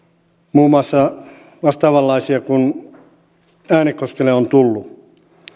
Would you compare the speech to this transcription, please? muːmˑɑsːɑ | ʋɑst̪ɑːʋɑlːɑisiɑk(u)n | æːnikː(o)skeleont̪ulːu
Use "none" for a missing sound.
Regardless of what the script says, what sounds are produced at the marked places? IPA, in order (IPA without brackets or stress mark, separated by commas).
u, o